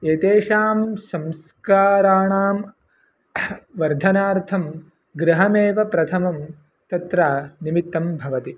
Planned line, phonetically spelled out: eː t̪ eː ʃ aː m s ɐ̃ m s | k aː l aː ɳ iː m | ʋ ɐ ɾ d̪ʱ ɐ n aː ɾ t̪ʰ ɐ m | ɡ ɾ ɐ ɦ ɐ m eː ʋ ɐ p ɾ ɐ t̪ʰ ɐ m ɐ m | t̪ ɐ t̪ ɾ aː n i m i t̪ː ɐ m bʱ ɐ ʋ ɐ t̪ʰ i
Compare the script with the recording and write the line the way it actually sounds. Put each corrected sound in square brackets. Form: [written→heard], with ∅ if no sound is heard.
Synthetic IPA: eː t̪ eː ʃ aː m s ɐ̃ m s | k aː [l→ɾ] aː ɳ [iː→aː] m | ʋ ɐ ɾ d̪ʱ ɐ n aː ɾ t̪ʰ ɐ m | ɡ ɾ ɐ ɦ ɐ m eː ʋ ɐ p ɾ ɐ t̪ʰ ɐ m ɐ m | t̪ ɐ t̪ ɾ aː n i m i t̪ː ɐ m bʱ ɐ ʋ ɐ [t̪ʰ→t̪] i